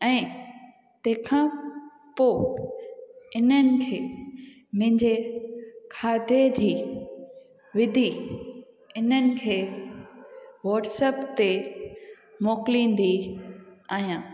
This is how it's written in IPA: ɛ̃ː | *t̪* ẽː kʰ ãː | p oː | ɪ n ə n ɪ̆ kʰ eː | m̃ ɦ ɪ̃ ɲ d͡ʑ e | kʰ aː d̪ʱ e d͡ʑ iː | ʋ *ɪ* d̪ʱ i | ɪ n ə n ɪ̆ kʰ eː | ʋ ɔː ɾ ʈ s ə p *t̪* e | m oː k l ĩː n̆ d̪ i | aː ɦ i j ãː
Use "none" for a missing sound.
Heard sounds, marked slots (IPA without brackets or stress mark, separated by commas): t̪, ɪ, t̪